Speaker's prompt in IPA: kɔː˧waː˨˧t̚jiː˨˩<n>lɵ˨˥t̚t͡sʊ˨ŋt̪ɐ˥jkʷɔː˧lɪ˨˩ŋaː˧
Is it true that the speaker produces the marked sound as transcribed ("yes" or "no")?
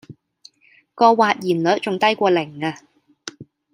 yes